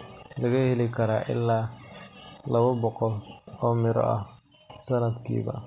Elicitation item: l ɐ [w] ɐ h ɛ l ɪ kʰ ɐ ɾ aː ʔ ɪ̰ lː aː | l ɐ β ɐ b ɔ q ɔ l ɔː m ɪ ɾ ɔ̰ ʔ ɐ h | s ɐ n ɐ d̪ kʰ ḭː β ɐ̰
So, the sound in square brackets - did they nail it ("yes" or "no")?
no